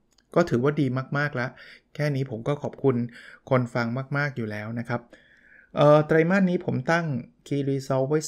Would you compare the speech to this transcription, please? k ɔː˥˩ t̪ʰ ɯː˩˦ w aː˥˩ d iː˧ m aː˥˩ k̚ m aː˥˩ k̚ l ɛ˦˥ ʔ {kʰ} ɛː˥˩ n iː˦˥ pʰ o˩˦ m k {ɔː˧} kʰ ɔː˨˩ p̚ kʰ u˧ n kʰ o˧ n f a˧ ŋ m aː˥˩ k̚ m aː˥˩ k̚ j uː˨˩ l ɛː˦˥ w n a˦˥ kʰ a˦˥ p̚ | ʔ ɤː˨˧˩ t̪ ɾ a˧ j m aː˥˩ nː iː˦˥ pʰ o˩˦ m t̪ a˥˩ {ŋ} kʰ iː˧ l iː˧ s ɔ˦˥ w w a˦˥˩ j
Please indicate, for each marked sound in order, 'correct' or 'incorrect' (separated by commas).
correct, incorrect, correct